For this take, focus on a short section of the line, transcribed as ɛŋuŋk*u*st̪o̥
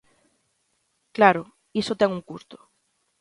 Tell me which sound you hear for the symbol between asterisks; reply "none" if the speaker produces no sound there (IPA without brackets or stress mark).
u